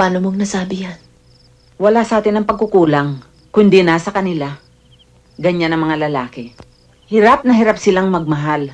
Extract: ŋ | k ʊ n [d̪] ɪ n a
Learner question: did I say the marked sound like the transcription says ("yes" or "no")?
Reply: yes